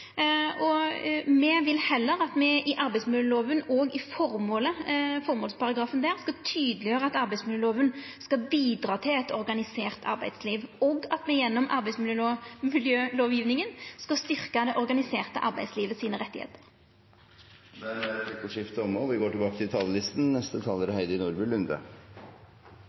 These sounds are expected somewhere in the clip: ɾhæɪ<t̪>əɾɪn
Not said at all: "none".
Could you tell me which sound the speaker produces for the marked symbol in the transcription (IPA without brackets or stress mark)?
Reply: d̪